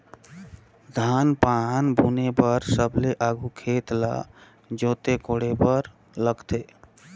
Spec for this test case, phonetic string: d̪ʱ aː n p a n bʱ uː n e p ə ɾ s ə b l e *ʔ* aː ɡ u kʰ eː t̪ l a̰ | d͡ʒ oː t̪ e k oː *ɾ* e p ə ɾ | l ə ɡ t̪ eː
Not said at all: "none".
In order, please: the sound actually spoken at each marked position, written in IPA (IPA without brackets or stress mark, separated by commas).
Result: ʔ, ɽ